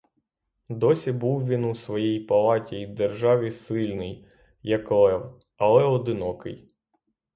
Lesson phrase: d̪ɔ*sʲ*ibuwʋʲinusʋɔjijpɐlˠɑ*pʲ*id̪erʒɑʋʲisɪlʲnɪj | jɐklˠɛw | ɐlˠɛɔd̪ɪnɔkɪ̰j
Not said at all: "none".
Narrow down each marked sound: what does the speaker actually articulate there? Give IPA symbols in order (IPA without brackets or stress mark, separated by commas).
sʲ, tʲ